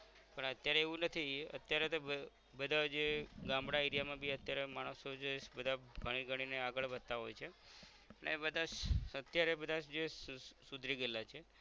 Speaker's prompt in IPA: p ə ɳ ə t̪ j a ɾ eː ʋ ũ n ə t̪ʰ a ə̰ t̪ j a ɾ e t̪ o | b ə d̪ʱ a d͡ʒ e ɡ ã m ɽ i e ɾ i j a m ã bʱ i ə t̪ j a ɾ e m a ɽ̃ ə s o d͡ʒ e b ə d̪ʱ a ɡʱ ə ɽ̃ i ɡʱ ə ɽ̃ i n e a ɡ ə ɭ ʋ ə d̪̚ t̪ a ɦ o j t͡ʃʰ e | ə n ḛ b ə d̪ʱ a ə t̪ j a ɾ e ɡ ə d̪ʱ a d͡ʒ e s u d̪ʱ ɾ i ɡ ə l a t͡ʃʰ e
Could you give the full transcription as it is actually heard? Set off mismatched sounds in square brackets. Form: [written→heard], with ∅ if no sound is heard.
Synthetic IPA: p ə ɳ ə t̪ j a ɾ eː ʋ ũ n ə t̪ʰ [a→i] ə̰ t̪ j a ɾ e t̪ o | b ə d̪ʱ a d͡ʒ e ɡ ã m ɽ [i→a] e ɾ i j a m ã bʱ i ə t̪ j a ɾ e m a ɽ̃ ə s o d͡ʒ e b ə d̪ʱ a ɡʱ ə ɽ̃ i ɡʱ ə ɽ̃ i n e a ɡ ə ɭ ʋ ə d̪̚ t̪ a ɦ o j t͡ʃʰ e | ə n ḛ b ə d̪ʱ a ə t̪ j a ɾ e [ɡ→b] ə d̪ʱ a d͡ʒ e s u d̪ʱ ɾ i ɡ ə l a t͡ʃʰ e